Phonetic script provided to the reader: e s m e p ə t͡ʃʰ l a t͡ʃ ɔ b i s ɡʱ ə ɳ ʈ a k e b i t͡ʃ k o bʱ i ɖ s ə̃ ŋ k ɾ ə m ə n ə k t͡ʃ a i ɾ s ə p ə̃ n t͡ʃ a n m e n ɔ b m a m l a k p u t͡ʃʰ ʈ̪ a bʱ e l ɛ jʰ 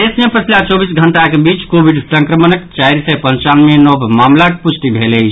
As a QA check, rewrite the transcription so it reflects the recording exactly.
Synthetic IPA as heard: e s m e p ə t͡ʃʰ l a t͡ʃ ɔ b i s ɡʱ ə ɳ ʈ a k e b i t͡ʃ k o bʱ i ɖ s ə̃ ŋ k ɾ ə m ə n ə k t͡ʃ a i ɾ s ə p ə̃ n t͡ʃ a n m e n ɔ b m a m l a k p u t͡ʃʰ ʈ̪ i bʱ e l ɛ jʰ